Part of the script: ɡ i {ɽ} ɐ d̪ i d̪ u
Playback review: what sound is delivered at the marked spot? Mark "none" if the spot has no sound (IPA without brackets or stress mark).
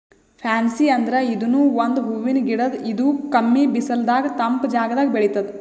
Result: ɽ